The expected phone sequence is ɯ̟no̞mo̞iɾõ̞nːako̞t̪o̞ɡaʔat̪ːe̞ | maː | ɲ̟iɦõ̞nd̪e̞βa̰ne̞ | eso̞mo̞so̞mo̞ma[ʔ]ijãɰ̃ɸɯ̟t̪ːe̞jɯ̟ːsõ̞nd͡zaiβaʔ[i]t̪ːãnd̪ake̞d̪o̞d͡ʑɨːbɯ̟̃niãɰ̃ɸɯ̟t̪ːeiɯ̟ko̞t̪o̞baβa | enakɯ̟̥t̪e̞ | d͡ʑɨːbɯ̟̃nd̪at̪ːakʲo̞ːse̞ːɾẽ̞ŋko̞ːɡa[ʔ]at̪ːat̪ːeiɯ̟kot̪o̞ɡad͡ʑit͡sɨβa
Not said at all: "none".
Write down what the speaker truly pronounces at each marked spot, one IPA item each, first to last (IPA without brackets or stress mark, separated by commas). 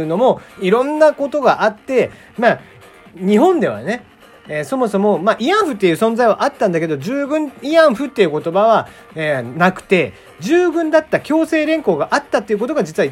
ʔ, a, ʔ